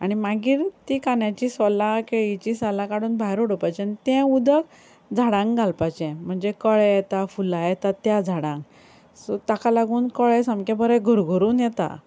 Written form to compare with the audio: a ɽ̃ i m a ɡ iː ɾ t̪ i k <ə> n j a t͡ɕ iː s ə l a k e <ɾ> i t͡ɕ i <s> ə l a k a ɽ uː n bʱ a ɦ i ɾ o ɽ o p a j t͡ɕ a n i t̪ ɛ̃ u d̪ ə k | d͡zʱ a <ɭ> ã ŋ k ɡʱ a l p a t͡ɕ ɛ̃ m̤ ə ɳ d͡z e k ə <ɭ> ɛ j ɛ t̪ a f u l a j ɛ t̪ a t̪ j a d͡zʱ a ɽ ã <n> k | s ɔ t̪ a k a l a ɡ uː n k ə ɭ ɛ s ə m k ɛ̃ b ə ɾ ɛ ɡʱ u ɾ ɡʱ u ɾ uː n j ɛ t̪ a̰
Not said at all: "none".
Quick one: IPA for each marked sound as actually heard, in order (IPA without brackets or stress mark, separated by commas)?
a, ɭ, s, ɽ, ɭ, ŋ